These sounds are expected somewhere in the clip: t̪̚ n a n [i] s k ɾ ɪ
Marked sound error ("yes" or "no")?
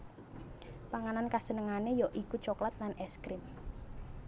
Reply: yes